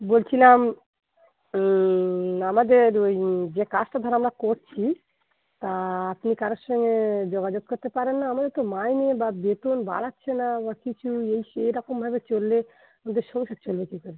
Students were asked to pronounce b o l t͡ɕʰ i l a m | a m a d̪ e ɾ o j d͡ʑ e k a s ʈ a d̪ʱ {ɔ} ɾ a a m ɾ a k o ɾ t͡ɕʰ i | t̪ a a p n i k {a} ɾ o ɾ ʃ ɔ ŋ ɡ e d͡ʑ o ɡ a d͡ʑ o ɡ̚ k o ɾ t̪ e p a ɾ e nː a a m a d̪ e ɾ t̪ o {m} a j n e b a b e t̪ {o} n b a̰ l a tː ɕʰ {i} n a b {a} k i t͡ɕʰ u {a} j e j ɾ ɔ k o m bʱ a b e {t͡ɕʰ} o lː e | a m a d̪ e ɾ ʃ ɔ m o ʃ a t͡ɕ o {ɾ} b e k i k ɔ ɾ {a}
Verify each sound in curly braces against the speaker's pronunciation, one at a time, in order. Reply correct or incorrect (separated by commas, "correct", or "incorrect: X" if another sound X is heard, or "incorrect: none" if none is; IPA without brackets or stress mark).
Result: correct, correct, correct, correct, incorrect: e, correct, incorrect: e, incorrect: t͡ɕ, incorrect: l, incorrect: e